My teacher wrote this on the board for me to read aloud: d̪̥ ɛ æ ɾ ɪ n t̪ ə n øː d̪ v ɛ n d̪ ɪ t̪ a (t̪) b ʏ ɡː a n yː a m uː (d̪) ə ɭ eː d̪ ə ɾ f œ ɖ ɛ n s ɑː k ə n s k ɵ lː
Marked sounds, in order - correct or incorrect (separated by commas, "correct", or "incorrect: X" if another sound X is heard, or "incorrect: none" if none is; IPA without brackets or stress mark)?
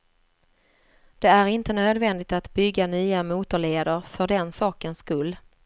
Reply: correct, incorrect: t̪